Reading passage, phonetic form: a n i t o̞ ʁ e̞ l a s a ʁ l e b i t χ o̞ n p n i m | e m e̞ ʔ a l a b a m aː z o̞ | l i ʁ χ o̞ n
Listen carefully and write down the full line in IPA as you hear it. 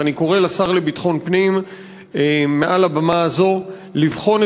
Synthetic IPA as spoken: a n i k o̞ ʁ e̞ l a s a ʁ l e b i t χ o̞ n p n i m | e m e̞ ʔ a l a b a m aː z o̞ | l i v χ o̞ n